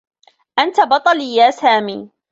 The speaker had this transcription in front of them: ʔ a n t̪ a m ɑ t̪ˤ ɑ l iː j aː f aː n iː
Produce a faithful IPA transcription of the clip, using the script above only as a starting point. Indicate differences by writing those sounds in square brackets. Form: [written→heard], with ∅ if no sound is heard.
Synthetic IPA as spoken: ʔ a n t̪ a [m→b] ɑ t̪ˤ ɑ l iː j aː [f→s] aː [n→m] iː